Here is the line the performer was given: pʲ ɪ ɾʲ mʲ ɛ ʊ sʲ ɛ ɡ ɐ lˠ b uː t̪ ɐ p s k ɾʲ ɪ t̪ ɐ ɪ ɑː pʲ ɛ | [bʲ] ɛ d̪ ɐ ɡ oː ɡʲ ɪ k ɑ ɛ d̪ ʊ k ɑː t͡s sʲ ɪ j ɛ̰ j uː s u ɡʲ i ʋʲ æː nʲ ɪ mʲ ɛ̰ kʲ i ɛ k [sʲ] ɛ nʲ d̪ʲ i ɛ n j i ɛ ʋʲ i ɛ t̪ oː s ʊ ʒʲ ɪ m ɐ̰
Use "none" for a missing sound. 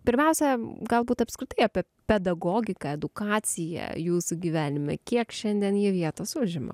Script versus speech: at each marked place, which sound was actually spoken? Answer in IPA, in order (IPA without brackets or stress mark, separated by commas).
pʲ, ʃʲ